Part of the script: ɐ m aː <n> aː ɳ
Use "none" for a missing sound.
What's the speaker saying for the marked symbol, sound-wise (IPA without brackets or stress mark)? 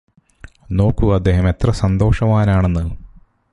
n